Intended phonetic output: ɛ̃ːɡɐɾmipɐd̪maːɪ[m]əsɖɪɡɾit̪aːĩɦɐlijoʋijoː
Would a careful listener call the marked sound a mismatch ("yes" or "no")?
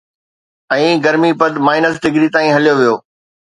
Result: yes